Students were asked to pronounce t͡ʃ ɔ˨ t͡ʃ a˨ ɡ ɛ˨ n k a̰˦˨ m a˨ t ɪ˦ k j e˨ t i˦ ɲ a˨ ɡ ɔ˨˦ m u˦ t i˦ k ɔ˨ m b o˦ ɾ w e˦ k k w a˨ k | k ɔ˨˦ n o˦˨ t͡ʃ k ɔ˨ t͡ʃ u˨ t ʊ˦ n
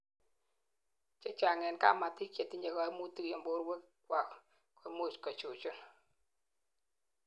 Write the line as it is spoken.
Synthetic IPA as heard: t͡ʃ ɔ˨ t͡ʃ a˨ ŋ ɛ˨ n k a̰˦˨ m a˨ t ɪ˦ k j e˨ t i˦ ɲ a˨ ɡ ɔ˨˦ m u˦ t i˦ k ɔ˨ m b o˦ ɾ w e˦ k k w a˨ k | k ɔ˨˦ m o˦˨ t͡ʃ k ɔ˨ t͡ʃ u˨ t͡ʃ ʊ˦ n

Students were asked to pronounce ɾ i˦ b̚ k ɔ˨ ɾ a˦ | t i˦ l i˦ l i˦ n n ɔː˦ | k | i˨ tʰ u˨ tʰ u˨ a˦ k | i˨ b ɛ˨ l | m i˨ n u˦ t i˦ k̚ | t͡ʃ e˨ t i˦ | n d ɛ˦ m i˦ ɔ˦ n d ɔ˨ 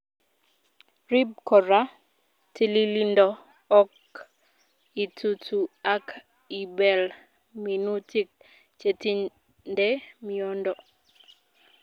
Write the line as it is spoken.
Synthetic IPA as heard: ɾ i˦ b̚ k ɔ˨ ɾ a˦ | t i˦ l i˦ l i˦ n d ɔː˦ | k | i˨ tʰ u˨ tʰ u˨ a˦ k | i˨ b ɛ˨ l | m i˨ n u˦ t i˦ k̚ | t͡ʃ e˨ t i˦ | n d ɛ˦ m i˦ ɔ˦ n d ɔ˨

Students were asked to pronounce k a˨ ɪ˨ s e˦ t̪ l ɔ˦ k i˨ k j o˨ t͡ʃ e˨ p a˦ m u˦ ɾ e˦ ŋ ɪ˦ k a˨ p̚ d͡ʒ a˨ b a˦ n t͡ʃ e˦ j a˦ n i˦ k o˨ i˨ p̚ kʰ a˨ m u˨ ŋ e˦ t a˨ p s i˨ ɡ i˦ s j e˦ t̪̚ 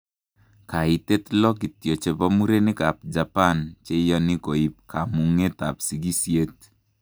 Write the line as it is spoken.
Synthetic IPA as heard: k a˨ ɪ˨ t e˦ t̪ l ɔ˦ k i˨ t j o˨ t͡ʃ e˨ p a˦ m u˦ ɾ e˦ n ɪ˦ k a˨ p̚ d͡ʒ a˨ p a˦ n t͡ʃ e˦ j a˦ n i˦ k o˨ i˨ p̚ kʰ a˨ m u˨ ŋ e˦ t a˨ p s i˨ ɡ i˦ s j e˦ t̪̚

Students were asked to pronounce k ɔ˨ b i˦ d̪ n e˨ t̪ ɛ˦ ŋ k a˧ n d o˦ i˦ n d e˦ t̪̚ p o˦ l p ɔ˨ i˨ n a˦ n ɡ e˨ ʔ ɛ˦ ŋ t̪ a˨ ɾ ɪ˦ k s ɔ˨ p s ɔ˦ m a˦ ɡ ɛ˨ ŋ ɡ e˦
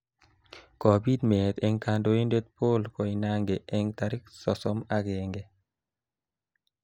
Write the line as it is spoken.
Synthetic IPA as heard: k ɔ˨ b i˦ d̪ m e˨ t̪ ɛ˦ ŋ k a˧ n d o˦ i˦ n d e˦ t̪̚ p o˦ l k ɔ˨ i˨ n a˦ ŋ ɡ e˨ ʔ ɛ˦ ŋ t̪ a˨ ɾ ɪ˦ k s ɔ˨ s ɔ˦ m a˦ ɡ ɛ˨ ŋ ɡ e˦

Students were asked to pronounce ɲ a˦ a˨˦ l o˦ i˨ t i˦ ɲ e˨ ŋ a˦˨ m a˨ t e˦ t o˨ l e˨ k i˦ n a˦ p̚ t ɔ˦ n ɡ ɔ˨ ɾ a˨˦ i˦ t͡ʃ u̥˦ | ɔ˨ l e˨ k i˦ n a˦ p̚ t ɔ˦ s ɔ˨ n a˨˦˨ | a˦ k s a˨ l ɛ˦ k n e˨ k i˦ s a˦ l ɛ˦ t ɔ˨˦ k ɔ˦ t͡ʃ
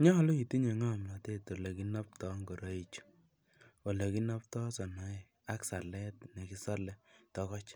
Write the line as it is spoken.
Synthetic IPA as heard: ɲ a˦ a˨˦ l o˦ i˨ t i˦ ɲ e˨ ŋ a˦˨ m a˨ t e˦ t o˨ l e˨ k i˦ n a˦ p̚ t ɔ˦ ŋ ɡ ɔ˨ ɾ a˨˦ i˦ t͡ʃ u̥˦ | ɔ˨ l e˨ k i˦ n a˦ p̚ t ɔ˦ s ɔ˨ n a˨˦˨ | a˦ k s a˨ l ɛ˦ t n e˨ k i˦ s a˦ l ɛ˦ t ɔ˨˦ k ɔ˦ t͡ʃ

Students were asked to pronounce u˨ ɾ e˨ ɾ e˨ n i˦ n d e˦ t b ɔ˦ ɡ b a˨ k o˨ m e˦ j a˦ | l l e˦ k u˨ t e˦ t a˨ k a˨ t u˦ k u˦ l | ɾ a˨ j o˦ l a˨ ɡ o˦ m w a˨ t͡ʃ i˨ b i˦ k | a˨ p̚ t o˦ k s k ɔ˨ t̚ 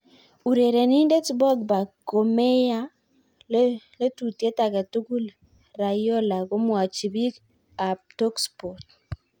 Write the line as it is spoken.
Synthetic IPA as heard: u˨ ɾ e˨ ɾ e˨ n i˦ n d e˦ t b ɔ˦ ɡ b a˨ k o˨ m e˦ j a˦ | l l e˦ t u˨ t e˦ t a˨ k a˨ t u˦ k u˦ l | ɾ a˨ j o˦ l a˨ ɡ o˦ m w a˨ t͡ʃ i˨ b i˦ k | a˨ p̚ t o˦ k s p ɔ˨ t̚

